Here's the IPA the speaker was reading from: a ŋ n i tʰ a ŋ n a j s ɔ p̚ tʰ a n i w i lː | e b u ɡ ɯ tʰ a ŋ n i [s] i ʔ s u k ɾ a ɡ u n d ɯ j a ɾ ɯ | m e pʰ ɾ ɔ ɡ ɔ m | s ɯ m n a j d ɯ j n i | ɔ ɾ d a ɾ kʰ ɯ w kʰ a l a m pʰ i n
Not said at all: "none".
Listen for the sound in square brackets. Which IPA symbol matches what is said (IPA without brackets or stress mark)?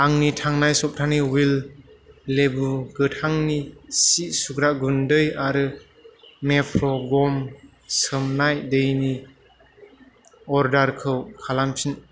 s